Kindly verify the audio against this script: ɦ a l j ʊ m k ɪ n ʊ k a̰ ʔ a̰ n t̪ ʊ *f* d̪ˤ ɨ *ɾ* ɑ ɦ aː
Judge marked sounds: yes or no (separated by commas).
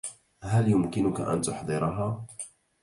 no, yes